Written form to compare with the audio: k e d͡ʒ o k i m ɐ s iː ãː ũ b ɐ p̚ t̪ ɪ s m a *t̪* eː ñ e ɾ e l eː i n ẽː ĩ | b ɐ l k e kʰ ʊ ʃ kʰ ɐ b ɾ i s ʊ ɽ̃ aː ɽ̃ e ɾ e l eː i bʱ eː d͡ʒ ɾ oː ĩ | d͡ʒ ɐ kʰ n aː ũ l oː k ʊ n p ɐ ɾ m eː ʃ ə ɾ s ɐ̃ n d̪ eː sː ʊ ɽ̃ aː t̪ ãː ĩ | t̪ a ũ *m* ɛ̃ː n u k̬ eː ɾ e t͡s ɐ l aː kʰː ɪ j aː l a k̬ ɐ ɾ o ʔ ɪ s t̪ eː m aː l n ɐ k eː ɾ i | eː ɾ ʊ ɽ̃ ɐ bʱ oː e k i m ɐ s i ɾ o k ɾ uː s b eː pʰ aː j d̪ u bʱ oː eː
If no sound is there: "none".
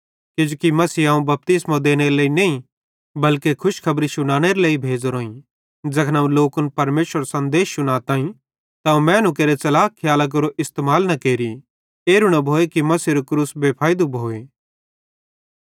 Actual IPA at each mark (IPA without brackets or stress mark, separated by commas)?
d̪, m